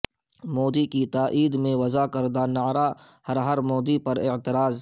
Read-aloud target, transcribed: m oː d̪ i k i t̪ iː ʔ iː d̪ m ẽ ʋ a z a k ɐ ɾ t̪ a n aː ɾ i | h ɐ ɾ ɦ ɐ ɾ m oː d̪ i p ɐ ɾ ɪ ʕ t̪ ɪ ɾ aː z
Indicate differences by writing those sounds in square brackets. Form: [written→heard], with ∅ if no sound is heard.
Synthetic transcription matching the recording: m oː d̪ i k i t̪ [iː→aː] ʔ iː d̪ m ẽ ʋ [a→ɐ] z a k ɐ ɾ [t̪→d̪] a n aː ɾ [i→a] | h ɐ ɾ ɦ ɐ ɾ m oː d̪ i p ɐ ɾ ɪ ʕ t̪ ɪ ɾ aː z